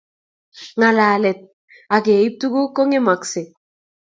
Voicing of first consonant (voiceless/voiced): voiced